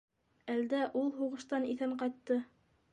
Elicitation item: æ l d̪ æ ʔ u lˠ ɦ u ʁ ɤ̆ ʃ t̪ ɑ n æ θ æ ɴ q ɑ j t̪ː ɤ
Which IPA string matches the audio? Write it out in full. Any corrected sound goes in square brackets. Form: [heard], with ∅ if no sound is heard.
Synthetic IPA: æ l d̪ æ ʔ u lˠ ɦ u ʁ ɤ̆ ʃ t̪ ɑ n [i] θ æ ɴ q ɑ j t̪ː ɤ